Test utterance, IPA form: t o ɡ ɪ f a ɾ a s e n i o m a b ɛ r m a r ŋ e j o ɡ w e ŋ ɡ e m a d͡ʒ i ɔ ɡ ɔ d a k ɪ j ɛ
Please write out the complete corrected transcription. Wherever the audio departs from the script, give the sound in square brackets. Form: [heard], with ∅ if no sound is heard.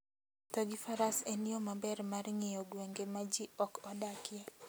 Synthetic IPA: t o ɡ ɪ f a ɾ a s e n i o m a b ɛ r m a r ŋ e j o ɡ w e ŋ ɡ e m a d͡ʒ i ɔ [k] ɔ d a k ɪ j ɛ